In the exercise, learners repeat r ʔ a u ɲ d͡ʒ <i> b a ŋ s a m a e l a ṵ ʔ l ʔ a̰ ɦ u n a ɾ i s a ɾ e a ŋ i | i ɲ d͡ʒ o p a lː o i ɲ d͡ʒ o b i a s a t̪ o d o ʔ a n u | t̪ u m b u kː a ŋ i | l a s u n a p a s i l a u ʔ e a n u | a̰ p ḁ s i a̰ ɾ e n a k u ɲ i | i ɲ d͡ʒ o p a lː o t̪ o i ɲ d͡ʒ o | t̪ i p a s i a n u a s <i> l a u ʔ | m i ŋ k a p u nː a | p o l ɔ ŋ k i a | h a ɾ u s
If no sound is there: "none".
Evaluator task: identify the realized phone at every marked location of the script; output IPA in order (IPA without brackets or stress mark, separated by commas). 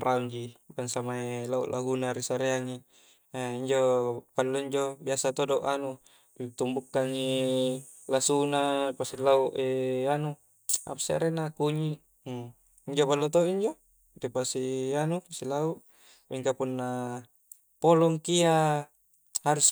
i, i